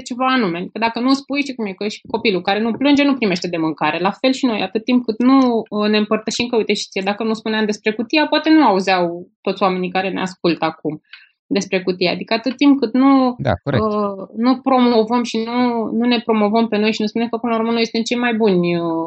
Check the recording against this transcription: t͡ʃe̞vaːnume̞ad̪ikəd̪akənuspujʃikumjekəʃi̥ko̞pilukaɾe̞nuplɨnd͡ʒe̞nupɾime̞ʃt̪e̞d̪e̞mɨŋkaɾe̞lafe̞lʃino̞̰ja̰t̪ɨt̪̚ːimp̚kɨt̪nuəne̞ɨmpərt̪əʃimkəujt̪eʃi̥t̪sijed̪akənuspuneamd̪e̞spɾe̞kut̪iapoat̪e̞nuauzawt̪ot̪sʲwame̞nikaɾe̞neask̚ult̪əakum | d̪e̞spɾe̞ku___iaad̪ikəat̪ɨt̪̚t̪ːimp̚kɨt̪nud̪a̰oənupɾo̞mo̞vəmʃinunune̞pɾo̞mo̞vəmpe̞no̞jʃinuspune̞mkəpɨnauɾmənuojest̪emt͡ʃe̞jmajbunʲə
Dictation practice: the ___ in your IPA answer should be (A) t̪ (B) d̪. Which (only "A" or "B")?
A